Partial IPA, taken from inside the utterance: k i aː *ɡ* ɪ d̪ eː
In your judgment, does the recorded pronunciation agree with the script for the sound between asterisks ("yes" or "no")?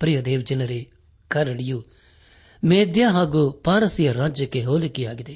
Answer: yes